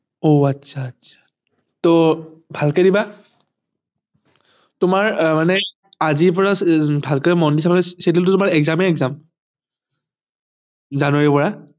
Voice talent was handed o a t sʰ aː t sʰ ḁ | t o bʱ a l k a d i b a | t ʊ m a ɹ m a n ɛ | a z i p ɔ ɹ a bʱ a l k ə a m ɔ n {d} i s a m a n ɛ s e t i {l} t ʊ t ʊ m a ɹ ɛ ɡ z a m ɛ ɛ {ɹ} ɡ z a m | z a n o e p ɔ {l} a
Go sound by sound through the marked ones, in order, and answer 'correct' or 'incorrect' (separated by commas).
correct, correct, incorrect, incorrect